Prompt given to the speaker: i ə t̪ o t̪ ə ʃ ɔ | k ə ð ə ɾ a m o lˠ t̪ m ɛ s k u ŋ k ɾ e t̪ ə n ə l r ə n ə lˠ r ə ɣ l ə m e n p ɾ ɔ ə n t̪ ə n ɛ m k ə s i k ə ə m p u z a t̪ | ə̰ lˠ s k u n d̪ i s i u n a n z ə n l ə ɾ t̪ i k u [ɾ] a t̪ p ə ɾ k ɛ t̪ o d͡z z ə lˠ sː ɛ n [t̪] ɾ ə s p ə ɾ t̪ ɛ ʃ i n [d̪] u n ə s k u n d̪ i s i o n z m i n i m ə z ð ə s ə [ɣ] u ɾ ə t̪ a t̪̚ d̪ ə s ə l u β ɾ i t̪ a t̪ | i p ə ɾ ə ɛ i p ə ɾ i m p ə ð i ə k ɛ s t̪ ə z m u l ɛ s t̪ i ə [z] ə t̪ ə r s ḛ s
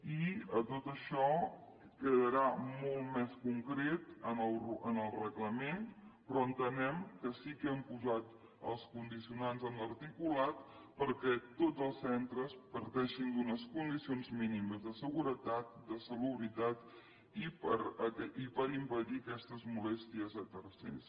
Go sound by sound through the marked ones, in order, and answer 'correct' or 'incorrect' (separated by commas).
incorrect, correct, correct, correct, correct